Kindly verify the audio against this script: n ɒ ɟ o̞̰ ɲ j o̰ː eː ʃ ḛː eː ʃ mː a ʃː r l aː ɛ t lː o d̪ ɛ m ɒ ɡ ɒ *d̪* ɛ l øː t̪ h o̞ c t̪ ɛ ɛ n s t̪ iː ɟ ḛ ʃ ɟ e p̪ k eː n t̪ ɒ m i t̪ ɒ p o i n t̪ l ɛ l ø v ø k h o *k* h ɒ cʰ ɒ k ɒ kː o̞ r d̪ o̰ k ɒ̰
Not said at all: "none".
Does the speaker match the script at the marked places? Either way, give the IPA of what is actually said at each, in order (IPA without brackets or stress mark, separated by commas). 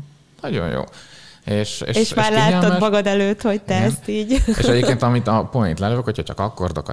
d̪, c